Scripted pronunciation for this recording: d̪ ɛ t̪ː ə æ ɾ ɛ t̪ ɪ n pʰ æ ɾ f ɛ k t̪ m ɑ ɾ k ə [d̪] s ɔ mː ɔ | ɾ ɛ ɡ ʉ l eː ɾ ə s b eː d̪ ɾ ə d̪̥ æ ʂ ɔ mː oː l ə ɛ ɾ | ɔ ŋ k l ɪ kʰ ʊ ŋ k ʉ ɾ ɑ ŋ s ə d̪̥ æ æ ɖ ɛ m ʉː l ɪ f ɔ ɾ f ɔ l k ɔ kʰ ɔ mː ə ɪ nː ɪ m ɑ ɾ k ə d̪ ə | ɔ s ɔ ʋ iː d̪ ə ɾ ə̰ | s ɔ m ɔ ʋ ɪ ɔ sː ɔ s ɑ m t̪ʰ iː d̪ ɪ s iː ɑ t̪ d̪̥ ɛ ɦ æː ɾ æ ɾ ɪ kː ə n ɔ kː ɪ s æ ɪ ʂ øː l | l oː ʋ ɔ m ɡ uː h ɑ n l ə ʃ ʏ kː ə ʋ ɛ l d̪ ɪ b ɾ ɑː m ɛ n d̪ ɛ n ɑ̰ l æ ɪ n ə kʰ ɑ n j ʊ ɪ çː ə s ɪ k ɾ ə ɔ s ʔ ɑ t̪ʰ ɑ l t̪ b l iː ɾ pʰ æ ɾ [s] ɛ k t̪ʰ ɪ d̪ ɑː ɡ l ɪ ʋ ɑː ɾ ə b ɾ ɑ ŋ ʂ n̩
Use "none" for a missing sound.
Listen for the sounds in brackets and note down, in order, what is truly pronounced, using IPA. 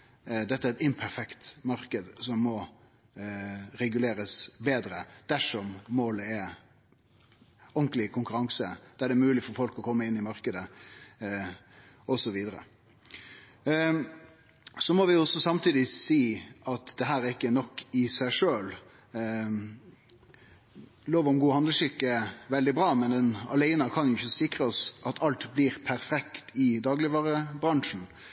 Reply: d̪, f

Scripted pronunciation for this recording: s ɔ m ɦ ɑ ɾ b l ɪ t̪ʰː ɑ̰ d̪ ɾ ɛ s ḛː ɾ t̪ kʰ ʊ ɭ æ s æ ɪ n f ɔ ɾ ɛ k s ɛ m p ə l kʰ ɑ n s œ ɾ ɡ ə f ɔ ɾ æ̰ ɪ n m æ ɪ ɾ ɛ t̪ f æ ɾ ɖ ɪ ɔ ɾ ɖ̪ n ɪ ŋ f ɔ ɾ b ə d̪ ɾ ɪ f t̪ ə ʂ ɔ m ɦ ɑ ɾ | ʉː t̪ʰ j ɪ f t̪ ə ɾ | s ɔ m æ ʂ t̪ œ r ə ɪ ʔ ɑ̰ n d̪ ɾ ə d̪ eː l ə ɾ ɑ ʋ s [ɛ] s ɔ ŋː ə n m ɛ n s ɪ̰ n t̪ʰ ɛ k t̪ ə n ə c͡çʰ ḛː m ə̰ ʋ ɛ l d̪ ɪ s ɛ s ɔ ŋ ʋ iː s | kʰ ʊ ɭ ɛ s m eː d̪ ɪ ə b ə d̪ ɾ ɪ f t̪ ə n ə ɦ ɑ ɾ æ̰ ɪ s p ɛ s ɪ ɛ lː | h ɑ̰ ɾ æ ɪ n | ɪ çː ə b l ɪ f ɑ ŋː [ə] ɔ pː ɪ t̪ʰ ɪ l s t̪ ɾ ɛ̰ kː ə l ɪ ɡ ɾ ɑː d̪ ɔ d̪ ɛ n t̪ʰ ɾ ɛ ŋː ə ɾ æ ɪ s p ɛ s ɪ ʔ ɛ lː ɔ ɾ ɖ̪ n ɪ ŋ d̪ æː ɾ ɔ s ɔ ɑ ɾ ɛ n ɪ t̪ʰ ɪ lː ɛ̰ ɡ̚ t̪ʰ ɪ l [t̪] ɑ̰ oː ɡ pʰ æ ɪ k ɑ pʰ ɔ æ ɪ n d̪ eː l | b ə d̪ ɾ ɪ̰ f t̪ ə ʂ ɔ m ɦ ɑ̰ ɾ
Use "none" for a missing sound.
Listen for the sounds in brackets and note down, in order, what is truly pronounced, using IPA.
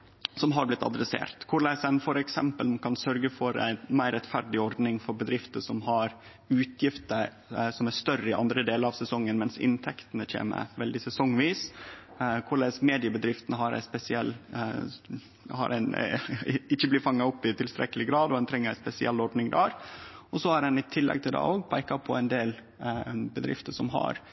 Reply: ɛ, ɑ, d̪

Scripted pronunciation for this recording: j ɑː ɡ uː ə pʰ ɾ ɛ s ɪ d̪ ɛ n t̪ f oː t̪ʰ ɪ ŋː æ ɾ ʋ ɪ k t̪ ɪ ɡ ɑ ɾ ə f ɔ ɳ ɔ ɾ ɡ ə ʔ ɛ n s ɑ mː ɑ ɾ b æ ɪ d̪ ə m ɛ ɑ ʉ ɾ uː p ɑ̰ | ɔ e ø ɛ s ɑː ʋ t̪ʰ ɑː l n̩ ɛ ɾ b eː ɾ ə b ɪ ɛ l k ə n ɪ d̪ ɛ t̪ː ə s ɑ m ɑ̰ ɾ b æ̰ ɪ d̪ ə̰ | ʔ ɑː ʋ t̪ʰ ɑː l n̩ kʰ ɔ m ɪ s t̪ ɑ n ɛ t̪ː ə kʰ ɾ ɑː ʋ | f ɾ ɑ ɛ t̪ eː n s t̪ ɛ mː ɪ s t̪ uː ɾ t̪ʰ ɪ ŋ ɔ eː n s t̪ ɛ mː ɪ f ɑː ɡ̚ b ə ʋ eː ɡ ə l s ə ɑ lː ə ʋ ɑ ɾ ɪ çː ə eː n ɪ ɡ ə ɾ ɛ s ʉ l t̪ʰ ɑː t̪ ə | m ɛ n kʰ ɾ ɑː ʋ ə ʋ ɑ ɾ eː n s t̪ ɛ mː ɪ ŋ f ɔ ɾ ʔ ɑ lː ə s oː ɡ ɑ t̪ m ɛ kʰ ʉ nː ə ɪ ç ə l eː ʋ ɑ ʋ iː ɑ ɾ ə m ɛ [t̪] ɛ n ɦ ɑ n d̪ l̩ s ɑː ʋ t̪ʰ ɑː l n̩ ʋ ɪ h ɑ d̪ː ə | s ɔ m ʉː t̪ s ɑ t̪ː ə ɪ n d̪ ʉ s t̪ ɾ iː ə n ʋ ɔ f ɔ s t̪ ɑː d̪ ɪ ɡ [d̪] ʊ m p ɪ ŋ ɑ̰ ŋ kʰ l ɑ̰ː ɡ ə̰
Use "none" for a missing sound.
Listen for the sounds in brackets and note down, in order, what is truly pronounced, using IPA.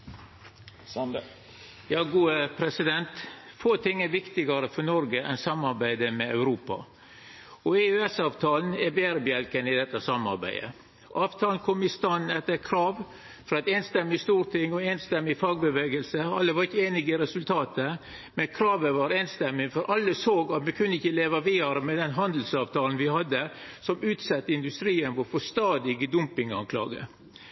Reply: d̪, d̪

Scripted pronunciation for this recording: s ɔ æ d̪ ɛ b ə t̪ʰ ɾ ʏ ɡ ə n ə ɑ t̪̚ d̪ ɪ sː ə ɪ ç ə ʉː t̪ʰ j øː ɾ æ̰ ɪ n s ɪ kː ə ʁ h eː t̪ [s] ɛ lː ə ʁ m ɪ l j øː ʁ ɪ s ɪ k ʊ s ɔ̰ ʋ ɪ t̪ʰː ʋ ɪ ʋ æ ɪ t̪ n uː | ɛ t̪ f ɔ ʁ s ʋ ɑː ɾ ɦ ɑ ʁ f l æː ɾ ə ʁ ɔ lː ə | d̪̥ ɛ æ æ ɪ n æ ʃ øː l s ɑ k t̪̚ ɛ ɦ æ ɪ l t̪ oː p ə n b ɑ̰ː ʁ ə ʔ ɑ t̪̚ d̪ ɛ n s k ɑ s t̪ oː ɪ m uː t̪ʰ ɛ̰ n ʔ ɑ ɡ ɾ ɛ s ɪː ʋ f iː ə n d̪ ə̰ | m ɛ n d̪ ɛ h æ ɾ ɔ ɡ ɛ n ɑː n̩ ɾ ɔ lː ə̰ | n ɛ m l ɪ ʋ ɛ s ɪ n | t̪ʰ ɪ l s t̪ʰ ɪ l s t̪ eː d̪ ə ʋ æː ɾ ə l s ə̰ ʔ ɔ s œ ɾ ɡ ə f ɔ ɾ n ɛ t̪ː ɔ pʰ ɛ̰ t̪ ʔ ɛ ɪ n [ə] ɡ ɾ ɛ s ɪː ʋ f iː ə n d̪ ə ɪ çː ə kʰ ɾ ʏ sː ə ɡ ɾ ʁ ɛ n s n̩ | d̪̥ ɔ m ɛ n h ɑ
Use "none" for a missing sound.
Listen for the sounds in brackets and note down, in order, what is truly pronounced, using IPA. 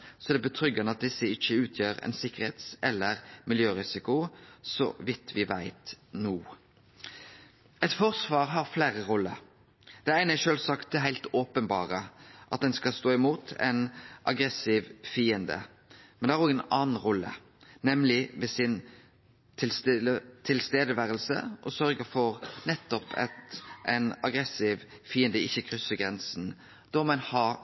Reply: s, ɑ

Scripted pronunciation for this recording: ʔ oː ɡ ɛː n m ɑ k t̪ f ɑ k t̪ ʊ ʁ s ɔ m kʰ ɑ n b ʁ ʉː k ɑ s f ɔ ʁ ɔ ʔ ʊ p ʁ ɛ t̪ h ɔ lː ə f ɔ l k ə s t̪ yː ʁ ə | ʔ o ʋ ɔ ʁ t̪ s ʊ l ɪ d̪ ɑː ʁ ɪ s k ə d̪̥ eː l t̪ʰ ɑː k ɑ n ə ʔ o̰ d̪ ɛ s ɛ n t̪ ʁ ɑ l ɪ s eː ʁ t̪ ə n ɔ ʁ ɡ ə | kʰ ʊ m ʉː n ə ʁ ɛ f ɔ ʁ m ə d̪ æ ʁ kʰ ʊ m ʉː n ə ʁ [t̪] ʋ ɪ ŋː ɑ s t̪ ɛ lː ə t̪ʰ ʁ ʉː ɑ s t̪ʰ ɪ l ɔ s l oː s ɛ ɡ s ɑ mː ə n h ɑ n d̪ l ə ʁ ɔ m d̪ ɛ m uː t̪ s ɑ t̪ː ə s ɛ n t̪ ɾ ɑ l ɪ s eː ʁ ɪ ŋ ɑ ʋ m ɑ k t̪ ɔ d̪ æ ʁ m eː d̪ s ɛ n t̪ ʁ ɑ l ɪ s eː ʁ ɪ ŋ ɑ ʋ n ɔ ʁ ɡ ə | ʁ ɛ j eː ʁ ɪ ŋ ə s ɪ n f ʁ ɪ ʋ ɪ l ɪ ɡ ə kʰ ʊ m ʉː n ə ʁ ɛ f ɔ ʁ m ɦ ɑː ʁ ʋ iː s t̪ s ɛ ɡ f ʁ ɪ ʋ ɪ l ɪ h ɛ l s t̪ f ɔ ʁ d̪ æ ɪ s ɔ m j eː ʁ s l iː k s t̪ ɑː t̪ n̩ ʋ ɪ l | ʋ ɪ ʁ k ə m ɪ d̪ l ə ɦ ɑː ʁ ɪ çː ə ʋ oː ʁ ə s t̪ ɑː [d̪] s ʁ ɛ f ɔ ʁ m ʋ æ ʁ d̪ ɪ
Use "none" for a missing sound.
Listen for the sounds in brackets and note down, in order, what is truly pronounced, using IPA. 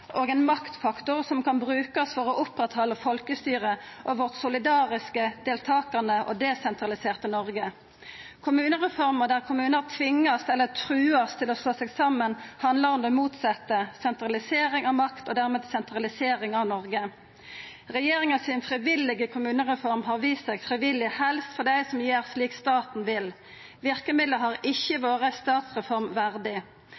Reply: t̪ʰ, t̪

